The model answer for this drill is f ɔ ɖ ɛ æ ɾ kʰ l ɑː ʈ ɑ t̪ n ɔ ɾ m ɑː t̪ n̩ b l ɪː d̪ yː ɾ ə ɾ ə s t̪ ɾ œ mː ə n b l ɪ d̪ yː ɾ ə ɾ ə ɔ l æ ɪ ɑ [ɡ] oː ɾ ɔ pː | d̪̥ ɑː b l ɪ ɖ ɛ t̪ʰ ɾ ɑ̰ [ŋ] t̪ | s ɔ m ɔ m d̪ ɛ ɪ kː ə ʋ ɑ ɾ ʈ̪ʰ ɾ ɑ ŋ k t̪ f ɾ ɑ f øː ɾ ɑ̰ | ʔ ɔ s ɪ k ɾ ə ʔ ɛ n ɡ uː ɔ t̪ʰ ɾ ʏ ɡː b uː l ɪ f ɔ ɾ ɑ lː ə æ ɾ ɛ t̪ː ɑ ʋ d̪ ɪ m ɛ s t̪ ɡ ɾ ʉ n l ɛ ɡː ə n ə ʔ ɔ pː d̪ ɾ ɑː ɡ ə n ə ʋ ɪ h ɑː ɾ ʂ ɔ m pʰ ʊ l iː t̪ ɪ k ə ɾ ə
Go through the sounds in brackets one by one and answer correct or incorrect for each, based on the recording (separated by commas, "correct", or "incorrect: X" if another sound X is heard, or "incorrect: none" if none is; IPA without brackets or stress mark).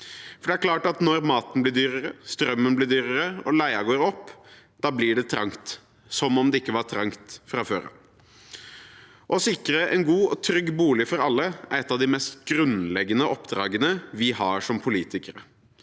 correct, correct